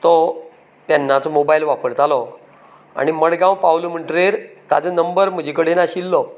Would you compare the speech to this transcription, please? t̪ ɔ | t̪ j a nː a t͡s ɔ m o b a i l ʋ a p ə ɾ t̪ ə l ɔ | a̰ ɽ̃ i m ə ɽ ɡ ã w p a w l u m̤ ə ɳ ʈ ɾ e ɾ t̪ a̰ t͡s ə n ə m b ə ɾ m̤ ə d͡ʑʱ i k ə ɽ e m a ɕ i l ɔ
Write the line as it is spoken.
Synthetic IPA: t̪ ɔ | t̪ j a nː a t͡s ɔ m o b a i l ʋ a p ə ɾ t̪ a l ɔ | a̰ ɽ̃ i m ə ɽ ɡ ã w p a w l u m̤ ə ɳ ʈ ɾ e ɾ t̪ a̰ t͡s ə n ə m b ə ɾ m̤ ə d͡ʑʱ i k ə ɽ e n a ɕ i lː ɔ